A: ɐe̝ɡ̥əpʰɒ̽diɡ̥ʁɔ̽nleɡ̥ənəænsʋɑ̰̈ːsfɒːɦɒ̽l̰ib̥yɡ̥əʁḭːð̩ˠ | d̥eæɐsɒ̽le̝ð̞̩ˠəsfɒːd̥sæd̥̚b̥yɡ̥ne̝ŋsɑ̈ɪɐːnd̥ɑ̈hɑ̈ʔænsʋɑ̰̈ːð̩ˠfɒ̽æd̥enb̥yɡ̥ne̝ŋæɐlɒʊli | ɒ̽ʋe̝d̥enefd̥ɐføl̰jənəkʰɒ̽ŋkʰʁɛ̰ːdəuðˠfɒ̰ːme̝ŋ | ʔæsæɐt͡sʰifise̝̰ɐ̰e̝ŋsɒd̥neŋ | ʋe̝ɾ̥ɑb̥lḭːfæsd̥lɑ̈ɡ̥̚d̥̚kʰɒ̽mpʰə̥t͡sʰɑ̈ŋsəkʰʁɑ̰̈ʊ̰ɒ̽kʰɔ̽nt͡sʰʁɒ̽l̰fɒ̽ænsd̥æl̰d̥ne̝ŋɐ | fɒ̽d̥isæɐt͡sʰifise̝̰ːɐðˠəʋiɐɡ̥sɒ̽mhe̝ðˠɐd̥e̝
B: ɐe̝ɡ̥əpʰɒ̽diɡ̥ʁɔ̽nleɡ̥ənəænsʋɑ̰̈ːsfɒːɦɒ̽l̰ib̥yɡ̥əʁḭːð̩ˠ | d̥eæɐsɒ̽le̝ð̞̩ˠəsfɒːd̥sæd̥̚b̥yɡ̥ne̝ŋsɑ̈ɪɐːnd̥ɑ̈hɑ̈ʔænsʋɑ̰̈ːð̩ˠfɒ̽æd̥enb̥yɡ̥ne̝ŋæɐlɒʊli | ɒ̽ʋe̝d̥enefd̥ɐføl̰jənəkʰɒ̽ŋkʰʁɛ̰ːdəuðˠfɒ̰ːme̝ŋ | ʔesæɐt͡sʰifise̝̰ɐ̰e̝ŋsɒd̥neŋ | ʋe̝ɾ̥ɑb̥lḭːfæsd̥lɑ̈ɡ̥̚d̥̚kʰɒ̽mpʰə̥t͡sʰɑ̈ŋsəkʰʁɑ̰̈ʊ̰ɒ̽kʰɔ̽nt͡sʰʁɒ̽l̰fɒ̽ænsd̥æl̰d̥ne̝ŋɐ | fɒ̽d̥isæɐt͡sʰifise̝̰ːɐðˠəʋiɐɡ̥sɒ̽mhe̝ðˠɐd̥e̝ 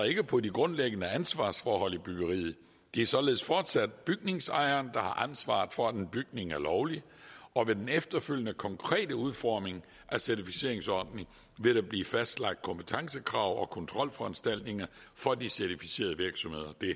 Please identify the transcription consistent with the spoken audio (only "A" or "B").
A